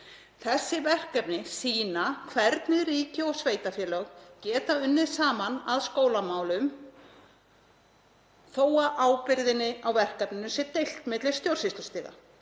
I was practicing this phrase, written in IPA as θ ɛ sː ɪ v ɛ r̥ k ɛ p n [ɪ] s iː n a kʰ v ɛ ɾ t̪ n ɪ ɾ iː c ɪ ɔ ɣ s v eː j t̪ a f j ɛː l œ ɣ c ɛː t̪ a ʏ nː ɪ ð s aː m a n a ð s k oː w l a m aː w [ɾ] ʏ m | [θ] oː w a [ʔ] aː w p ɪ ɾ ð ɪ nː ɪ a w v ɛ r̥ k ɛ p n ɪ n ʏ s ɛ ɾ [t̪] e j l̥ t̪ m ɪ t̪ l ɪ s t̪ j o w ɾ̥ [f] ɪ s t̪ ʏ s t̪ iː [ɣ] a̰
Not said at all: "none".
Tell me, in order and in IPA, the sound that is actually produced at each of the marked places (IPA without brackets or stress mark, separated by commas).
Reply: ɪ, l, θ, ʔ, t̪, s, ɣ